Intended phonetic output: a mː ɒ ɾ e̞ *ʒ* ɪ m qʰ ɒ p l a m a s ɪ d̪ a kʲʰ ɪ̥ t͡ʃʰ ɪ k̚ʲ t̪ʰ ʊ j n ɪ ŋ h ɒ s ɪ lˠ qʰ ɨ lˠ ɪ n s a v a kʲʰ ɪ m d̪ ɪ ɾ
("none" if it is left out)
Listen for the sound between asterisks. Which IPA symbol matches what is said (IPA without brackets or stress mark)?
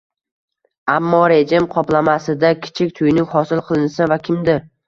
d͡ʒ